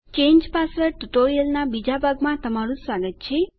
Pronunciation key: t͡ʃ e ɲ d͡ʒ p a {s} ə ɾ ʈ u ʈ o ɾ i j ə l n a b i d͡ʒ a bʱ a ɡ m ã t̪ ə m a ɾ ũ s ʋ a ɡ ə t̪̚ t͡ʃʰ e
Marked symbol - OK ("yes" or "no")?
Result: yes